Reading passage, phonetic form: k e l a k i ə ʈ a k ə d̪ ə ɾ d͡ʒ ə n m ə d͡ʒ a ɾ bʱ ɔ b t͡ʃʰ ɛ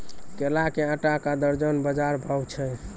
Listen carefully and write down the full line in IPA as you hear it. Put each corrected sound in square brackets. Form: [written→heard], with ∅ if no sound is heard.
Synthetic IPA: k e l a k [i→e] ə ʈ a k [ə→a] d̪ ə ɾ d͡ʒ ə n [m→b] ə d͡ʒ a ɾ bʱ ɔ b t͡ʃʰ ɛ